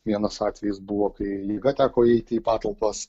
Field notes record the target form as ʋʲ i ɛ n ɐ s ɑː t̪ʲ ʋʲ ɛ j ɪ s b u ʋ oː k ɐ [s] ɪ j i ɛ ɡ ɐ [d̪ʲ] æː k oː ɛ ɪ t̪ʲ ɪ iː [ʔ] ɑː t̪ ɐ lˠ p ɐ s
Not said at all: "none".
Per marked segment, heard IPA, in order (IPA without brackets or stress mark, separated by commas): none, t̪ʲ, p